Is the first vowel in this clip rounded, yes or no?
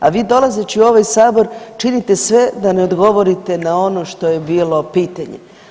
no